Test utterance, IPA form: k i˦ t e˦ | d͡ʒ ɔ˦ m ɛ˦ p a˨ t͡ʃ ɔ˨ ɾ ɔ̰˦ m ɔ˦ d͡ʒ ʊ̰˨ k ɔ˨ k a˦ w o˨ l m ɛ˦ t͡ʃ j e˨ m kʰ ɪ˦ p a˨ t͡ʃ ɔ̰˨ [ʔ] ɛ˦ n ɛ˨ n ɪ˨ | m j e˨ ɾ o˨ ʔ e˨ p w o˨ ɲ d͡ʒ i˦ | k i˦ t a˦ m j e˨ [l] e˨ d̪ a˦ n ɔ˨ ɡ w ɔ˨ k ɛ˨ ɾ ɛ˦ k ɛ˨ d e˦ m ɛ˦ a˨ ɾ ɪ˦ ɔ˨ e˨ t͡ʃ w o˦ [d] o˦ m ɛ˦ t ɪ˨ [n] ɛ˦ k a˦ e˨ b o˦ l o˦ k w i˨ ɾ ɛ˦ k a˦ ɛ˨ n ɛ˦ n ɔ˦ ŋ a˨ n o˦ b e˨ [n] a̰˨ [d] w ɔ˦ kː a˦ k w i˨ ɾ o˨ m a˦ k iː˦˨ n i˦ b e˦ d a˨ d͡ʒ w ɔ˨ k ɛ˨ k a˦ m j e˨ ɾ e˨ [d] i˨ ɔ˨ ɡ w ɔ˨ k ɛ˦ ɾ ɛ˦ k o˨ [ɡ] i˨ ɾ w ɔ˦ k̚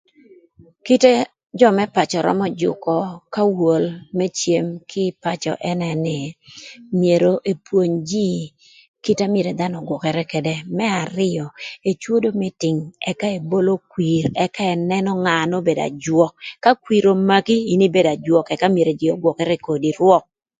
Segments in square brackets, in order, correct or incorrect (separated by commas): correct, incorrect, correct, incorrect, incorrect, incorrect, incorrect, incorrect